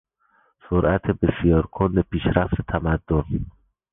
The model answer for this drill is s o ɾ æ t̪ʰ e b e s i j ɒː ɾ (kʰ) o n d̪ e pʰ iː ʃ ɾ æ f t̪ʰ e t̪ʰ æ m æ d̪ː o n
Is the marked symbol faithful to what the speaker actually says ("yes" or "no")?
yes